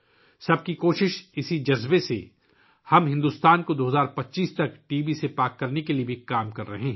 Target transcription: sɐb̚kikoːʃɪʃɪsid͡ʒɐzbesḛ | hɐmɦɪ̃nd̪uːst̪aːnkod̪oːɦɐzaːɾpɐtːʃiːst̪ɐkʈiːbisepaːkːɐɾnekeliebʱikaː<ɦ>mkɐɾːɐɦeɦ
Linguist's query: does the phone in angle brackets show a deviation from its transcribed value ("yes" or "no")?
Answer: yes